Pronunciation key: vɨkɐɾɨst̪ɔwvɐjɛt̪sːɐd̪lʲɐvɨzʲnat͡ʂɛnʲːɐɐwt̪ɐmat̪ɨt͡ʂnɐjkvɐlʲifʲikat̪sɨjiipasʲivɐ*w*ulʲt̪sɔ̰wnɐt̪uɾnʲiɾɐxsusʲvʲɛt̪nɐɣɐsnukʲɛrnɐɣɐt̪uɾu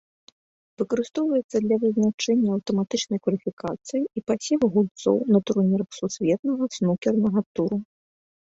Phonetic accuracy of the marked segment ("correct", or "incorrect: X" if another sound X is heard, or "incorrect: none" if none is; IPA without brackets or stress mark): incorrect: ɣ